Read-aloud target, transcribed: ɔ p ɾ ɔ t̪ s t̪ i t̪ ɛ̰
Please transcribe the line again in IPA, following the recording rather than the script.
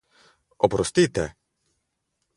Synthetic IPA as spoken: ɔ p ɾ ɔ s t̪ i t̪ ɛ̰